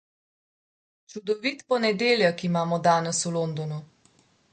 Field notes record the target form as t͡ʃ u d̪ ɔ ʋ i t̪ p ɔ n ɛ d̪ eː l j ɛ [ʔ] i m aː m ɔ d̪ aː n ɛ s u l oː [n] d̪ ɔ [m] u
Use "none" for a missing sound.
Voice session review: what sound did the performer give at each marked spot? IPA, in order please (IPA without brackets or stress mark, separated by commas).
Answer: k, n, n